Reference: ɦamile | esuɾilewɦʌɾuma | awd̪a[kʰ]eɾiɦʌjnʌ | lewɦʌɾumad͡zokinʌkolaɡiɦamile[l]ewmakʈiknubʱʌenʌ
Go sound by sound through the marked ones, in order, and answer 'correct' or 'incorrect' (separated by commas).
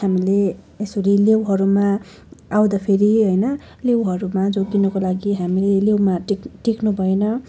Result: incorrect, correct